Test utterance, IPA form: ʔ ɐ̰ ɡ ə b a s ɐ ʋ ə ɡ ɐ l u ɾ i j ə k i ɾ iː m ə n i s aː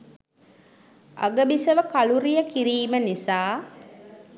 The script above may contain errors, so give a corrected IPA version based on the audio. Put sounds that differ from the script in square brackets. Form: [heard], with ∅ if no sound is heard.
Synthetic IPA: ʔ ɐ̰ ɡ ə b [i] s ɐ ʋ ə [k] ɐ l u ɾ i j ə k i ɾ iː m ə n i s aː